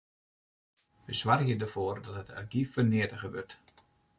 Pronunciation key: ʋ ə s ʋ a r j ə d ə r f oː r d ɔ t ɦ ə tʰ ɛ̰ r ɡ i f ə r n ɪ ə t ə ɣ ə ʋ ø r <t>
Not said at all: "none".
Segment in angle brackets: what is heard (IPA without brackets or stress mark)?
t